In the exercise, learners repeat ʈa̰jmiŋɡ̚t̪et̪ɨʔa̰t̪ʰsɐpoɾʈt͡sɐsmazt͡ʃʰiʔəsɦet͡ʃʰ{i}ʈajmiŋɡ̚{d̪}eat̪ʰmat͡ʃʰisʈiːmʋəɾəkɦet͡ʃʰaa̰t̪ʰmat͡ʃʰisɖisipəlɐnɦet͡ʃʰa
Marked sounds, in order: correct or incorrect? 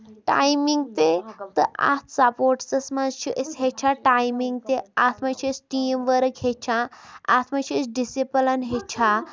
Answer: incorrect: a, incorrect: t̪

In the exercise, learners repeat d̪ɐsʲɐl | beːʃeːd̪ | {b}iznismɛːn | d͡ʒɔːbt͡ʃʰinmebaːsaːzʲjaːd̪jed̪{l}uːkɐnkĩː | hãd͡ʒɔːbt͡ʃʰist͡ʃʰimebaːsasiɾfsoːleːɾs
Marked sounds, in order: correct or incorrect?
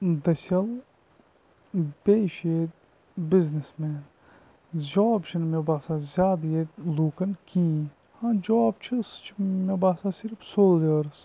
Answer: correct, correct

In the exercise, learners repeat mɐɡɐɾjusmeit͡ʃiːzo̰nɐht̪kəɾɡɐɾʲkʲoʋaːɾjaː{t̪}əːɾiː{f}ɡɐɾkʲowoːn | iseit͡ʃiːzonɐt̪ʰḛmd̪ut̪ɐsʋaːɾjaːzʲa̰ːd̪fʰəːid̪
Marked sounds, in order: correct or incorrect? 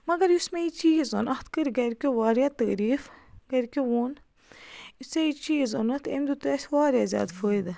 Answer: correct, correct

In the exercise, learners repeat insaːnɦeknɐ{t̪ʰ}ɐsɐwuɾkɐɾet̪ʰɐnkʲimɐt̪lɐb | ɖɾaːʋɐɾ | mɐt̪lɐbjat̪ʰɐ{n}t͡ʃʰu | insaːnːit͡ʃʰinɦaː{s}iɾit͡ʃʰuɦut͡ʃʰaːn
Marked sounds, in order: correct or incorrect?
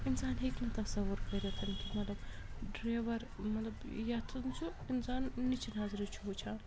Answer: incorrect: t̪, correct, incorrect: z

